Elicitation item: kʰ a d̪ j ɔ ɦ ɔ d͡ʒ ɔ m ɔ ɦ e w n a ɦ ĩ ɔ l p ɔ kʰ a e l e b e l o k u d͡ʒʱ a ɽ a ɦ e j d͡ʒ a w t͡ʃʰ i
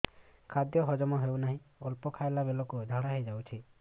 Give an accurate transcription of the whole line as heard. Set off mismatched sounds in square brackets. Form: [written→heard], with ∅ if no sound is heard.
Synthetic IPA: kʰ a d̪ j ɔ ɦ ɔ d͡ʒ ɔ m ɔ ɦ e w n a ɦ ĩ ɔ l p ɔ kʰ a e l [e→a] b e l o k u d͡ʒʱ a ɽ a ɦ e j d͡ʒ a w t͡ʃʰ i